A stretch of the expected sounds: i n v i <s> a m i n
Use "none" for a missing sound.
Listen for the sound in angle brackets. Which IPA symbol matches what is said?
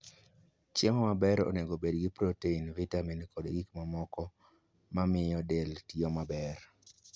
t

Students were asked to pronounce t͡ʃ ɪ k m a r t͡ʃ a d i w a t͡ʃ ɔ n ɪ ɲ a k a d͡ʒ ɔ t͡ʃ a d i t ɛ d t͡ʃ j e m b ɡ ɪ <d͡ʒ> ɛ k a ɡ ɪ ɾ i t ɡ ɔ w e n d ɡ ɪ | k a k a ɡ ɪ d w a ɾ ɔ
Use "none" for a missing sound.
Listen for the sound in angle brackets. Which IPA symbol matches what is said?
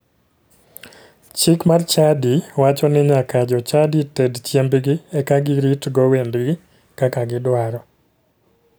none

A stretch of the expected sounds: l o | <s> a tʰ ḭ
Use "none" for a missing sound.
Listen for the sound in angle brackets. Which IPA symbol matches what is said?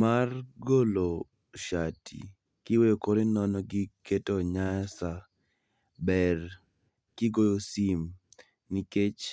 ʃ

